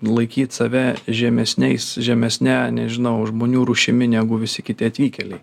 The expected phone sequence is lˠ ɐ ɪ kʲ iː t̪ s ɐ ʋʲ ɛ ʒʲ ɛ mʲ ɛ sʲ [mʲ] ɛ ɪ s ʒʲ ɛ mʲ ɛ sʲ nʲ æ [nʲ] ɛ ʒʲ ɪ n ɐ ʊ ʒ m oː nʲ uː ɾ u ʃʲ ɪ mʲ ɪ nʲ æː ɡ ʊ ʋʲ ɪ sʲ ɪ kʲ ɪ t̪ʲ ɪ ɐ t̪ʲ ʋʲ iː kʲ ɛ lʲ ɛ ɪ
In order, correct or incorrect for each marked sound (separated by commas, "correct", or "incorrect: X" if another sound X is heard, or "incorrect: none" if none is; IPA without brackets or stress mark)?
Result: incorrect: nʲ, correct